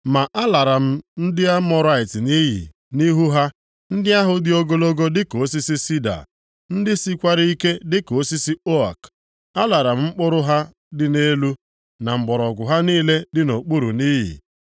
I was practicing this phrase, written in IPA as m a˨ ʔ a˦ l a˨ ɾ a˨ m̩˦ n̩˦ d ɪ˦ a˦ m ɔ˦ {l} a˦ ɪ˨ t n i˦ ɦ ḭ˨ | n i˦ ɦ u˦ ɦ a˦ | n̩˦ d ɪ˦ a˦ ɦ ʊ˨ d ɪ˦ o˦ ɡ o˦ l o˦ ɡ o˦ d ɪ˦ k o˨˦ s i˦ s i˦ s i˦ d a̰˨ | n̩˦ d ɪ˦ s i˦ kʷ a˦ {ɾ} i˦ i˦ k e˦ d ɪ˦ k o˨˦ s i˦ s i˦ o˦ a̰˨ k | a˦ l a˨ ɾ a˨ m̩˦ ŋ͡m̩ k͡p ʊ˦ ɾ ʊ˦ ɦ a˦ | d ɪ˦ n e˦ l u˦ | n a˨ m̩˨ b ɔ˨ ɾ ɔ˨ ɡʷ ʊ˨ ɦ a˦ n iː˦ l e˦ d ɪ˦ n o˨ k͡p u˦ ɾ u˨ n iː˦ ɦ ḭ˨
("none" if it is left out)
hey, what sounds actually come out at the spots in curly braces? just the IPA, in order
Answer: ɾ, ɾ

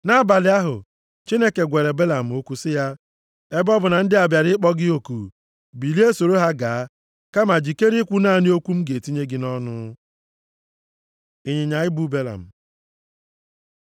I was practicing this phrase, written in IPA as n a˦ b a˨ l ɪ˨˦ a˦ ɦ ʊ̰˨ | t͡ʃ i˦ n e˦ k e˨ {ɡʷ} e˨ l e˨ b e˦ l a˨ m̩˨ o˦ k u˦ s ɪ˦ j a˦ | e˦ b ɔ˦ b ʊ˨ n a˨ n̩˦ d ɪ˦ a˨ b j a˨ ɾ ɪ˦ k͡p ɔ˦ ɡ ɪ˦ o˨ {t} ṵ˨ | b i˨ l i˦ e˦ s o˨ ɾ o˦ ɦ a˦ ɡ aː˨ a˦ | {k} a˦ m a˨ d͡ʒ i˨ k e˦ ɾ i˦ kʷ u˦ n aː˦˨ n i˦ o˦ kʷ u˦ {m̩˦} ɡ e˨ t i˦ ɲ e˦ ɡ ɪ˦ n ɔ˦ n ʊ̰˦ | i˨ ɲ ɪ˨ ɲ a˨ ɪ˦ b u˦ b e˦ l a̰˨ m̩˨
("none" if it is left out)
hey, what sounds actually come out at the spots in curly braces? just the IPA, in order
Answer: ɡʷ, k, k, m̩˦

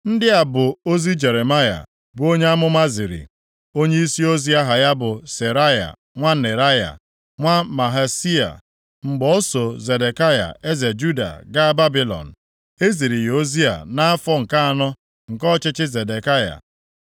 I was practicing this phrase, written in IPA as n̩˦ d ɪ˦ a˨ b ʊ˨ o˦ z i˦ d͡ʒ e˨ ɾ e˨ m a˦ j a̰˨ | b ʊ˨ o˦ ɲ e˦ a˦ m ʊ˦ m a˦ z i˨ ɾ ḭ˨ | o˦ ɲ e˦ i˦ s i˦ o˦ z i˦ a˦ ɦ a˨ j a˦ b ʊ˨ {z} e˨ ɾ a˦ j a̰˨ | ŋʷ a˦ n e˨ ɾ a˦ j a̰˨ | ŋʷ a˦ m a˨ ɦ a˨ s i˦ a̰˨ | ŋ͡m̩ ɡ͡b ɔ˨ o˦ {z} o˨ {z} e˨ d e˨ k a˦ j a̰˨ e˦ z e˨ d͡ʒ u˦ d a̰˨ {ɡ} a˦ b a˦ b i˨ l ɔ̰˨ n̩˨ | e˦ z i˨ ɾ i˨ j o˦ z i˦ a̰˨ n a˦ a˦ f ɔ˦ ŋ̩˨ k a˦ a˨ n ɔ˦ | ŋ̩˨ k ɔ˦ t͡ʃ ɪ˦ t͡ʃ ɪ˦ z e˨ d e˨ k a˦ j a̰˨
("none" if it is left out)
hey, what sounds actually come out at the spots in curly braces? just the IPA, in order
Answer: s, s, z, ɡ

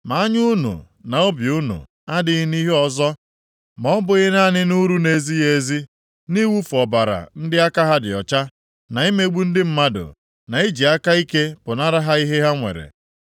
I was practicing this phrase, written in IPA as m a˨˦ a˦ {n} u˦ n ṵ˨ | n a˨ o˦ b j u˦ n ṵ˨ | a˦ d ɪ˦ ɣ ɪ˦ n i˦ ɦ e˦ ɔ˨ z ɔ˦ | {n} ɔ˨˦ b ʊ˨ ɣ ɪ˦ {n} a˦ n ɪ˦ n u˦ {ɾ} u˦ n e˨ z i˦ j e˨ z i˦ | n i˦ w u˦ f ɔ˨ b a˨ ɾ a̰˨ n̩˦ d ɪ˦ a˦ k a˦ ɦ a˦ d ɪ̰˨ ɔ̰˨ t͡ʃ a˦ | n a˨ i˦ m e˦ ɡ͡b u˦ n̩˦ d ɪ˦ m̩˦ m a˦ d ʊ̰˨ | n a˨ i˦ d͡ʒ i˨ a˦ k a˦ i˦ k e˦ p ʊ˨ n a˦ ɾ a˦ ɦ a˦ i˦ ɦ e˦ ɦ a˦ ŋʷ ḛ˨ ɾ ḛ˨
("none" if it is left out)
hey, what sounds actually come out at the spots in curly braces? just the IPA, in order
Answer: ɲ, m, n, ɾ

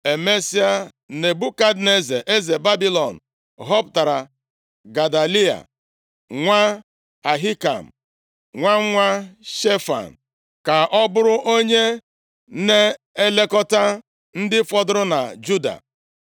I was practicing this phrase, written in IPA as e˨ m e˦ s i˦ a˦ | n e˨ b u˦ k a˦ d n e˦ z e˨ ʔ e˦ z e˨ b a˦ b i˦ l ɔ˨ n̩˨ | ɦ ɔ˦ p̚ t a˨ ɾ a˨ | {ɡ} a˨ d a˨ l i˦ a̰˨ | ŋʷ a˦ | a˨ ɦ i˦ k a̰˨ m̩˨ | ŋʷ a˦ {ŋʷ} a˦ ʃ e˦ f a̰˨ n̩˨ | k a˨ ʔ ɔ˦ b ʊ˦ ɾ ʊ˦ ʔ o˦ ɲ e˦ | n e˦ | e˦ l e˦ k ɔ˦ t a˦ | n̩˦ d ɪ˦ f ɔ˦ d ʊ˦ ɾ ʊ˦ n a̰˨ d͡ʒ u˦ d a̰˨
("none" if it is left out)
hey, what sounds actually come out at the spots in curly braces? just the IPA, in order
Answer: ɡ, ŋʷ

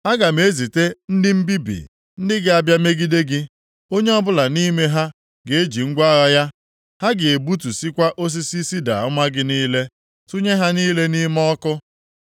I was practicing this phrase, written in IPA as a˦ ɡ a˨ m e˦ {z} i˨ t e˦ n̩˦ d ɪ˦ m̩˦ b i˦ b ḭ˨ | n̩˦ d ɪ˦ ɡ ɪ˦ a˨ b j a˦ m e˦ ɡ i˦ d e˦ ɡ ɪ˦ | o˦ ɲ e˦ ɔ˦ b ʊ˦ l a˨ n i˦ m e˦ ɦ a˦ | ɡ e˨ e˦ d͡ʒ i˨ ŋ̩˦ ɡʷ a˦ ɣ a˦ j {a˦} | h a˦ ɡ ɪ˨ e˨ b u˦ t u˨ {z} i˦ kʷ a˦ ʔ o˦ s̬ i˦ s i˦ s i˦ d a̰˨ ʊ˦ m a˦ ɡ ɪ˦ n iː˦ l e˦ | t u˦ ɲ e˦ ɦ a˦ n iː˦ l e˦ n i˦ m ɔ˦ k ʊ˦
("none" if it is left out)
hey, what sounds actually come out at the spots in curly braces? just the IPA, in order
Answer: z, a˦, s

